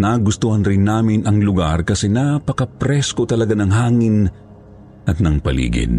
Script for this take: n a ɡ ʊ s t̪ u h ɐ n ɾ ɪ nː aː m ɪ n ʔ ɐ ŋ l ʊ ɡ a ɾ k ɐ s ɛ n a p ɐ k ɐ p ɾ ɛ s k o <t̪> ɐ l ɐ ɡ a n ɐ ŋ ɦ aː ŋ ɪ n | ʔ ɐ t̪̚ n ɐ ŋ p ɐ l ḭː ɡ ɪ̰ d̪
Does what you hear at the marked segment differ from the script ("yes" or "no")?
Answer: no